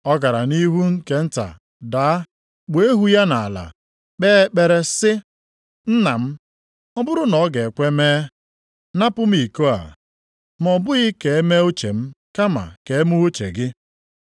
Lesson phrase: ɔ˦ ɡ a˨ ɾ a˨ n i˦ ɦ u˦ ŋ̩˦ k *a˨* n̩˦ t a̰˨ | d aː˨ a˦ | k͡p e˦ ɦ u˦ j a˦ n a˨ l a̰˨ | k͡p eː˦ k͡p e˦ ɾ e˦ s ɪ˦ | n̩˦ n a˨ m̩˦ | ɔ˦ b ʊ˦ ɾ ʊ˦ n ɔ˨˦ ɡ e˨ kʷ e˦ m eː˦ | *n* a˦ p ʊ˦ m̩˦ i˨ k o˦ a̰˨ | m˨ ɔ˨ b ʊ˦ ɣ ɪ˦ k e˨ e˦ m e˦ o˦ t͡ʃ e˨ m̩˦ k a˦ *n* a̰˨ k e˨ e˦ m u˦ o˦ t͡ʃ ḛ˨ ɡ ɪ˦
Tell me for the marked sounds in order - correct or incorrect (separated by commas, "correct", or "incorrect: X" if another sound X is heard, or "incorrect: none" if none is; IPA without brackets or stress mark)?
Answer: incorrect: e˨, correct, incorrect: m